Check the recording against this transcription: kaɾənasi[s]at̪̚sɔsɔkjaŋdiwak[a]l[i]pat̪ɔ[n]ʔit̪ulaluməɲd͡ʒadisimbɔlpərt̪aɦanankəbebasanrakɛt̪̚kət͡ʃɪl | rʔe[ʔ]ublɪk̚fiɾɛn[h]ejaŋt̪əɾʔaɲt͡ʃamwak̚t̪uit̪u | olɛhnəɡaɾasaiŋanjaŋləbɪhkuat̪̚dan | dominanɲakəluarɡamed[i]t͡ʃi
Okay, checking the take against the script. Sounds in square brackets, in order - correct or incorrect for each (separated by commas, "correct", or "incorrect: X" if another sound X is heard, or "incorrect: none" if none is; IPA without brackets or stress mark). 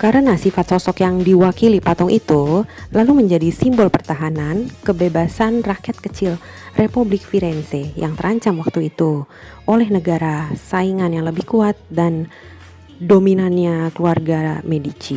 incorrect: f, incorrect: i, correct, incorrect: ŋ, incorrect: p, incorrect: s, correct